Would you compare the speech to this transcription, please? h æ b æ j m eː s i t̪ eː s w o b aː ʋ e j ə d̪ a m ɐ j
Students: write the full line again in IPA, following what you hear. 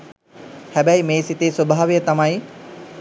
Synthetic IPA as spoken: h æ b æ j m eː s i t̪ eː s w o b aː ʋ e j ə t̪ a m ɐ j

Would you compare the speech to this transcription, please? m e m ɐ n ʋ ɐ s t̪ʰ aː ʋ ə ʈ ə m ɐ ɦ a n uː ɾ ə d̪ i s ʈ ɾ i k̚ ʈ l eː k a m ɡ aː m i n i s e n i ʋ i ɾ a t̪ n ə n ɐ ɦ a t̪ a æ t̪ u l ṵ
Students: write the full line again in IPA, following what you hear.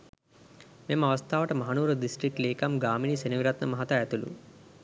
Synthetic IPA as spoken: m e m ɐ ʋ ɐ s t̪ʰ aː ʋ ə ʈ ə m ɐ ɦ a n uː ɾ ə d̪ i s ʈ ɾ i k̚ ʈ l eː k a m ɡ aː m i n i s e n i ʋ i ɾ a t̪ n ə m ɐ ɦ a t̪ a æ t̪ u l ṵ

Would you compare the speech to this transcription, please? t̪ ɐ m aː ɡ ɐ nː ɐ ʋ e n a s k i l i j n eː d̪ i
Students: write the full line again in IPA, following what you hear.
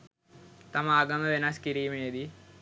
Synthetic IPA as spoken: t̪ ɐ m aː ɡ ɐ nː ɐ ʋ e n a s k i ɾ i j m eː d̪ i

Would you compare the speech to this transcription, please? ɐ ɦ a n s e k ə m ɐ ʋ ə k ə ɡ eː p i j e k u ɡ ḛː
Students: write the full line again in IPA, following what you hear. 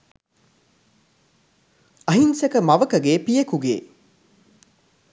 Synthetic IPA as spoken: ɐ ɦ i n s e k ə m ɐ ʋ ə k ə ɡ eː p i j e k u ɡ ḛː

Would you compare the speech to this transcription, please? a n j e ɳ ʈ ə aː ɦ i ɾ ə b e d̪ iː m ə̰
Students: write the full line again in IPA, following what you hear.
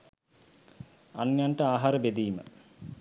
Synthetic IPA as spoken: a n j a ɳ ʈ ə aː ɦ a ɾ ə b e d̪ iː m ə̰

